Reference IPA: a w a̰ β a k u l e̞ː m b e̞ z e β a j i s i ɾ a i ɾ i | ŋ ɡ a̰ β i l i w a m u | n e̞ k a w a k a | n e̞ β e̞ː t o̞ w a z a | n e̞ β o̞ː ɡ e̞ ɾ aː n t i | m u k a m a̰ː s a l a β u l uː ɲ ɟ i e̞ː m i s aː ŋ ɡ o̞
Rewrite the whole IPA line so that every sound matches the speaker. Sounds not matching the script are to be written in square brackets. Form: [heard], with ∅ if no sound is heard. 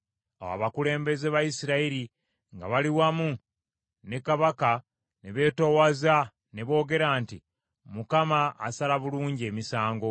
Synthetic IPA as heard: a w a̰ β a k u l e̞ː m b e̞ z e β a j i s i ɾ a i ɾ i | ŋ ɡ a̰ β [a] l i w a m u | n e̞ k a [β] a k a | n e̞ β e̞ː t o̞ w a z a | n e̞ β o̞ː ɡ e̞ ɾ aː n t i | m u k a m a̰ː s a l a β u l uː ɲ ɟ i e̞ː m i s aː ŋ ɡ o̞

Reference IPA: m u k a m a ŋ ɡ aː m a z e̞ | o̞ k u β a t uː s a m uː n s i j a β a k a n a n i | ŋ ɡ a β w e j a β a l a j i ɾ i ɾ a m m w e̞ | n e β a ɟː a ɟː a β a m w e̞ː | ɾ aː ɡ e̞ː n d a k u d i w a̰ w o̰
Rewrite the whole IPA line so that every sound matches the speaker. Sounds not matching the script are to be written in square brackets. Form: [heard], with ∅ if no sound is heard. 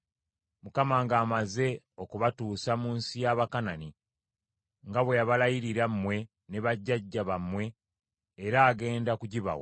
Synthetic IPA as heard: m u k a m a ŋ ɡ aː m a z e̞ | o̞ k u β a t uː s a m uː n s i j a β a k a n a n i | ŋ ɡ a β w e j a β a l a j i ɾ i ɾ a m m w e̞ | n e β a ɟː a ɟː a β a m w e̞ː | ɾ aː ɡ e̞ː n d a k u [ɟ] i [β] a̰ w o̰

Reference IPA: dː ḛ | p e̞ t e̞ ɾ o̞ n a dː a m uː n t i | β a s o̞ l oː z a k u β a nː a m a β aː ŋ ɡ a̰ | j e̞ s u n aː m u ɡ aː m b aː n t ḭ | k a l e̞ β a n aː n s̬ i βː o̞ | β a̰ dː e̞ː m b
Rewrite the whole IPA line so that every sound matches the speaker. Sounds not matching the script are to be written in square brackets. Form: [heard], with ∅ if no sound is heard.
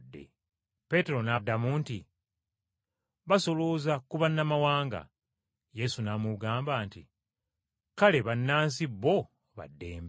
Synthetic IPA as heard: dː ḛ | p e̞ t e̞ ɾ o̞ n a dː a m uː n t i | β a s o̞ l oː z a k u β a nː a m a [w] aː ŋ ɡ a̰ | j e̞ s u n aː m u ɡ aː m b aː n t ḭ | k a l e̞ β a [nː] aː n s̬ i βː o̞ | β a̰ dː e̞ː m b

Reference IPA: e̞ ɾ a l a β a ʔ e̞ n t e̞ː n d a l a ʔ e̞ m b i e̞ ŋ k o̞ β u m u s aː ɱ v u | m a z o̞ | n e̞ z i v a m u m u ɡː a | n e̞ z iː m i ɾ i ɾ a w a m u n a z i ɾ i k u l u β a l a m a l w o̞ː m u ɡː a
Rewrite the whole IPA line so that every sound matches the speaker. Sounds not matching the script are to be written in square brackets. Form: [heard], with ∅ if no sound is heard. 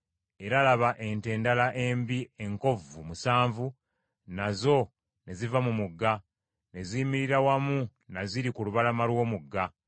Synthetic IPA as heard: e̞ ɾ a l a β a ʔ e̞ n t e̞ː n d a l a ʔ e̞ m b i e̞ ŋ k o̞ [v] u m u s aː ɱ v u | [n] a z o̞ | n e̞ z i v a m u m u ɡː a | n e̞ z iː m i ɾ i ɾ a w a m u n a z i ɾ i k u l u β a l a m a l w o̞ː m u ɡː a

